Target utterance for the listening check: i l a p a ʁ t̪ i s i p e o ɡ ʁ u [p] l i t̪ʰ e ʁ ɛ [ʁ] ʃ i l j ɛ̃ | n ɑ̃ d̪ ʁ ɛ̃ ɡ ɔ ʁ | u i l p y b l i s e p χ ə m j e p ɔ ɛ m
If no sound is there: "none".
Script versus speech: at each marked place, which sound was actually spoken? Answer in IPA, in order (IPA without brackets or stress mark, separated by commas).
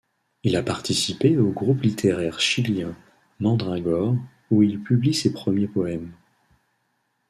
p, ʁ